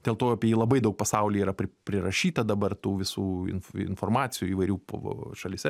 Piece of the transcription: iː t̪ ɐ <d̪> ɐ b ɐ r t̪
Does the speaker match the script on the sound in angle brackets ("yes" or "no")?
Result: yes